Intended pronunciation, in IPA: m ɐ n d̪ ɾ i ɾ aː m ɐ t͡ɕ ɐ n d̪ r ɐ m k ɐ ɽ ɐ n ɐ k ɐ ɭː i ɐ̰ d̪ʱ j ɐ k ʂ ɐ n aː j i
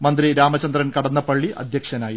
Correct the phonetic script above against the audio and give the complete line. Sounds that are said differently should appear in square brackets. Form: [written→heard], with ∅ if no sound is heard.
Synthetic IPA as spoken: m ɐ n d̪ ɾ i ɾ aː m ɐ t͡ɕ ɐ n d̪ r ɐ [m→n] k ɐ ɽ ɐ [n→nː] ɐ [k→p] ɐ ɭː i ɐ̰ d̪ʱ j ɐ k ʂ ɐ n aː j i